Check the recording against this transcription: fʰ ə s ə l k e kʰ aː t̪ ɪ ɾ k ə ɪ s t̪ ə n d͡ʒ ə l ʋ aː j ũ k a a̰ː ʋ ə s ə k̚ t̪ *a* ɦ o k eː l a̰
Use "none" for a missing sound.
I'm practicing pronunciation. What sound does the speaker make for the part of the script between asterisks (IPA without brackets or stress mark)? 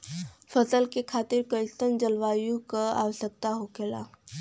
a